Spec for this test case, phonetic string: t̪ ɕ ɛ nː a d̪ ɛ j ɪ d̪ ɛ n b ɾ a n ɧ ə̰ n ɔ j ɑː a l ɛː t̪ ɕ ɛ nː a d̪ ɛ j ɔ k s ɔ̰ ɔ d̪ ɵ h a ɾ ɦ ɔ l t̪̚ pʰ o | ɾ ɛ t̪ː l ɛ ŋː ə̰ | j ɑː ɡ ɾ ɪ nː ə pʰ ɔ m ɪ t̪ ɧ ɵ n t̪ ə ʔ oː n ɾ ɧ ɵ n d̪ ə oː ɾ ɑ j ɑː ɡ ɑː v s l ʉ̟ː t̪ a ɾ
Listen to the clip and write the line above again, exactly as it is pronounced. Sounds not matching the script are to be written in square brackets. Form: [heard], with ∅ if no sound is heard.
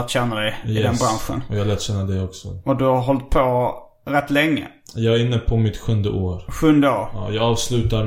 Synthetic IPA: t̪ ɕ ɛ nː a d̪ ɛ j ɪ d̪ ɛ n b ɾ a n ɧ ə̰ n ɔ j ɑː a l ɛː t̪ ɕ ɛ nː a d̪ ɛ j ɔ k s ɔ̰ ɔ d̪ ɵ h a ɾ ɦ ɔ l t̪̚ pʰ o | ɾ ɛ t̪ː l ɛ ŋː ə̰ | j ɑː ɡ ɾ ɪ nː ə pʰ ɔ m ɪ t̪ ɧ ɵ n [d̪] ə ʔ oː [∅] ɾ ɧ ɵ n d̪ ə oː ɾ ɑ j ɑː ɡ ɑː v s l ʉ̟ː t̪ a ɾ